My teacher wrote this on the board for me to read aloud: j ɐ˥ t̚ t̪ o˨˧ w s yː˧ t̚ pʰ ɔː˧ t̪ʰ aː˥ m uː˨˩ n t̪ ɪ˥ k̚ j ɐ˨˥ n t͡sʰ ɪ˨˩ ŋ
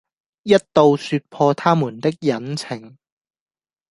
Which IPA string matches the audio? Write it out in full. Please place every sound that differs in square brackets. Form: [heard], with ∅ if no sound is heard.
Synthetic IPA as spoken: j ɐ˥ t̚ t̪ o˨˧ w s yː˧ t̚ pʰ ɔː˧ t̪ʰ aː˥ m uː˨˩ n t̪ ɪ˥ k̚ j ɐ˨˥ n t͡sʰ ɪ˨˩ ŋ